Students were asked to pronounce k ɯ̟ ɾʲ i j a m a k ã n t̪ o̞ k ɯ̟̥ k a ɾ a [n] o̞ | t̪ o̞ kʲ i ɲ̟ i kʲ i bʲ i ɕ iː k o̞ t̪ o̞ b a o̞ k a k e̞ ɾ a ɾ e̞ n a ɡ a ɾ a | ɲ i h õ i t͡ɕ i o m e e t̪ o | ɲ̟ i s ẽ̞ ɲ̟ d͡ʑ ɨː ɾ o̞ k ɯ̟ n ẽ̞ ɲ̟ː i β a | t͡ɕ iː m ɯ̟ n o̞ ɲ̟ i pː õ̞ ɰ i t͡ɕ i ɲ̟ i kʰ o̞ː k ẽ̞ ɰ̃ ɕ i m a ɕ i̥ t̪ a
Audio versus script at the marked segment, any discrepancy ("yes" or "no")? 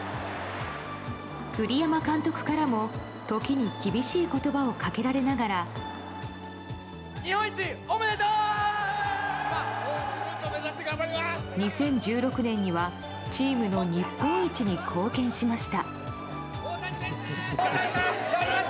yes